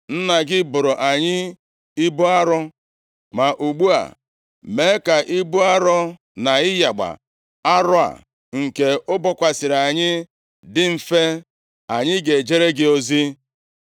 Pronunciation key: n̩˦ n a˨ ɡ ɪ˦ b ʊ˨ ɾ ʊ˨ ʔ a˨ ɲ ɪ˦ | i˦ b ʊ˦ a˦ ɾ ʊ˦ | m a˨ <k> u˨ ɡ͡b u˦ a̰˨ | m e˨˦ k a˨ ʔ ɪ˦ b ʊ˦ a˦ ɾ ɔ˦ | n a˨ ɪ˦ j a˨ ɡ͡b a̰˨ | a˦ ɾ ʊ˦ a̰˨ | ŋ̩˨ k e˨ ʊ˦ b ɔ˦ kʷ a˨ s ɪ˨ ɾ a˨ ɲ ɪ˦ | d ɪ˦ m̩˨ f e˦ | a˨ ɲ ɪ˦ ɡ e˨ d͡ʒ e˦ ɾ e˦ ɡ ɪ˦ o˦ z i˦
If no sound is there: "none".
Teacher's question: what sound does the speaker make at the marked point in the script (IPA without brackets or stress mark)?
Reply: ʔ